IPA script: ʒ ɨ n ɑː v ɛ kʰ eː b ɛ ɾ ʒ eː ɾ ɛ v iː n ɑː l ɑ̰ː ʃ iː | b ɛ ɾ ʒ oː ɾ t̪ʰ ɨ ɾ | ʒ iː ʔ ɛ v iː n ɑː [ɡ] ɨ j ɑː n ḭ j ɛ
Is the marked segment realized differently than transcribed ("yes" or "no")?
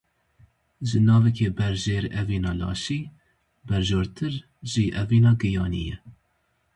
no